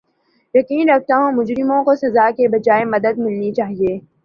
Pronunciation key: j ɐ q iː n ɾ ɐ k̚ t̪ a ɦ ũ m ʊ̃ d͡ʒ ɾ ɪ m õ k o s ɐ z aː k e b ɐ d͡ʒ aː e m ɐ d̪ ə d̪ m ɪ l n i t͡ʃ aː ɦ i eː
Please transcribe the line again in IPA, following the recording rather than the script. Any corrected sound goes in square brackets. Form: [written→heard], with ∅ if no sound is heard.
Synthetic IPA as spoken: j ɐ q iː n ɾ ɐ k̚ t̪ a ɦ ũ m [ʊ̃→ʊ] d͡ʒ ɾ ɪ m õ k o s ɐ z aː k e b ɐ d͡ʒ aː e m ɐ d̪ ə d̪ m ɪ l n i t͡ʃ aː ɦ i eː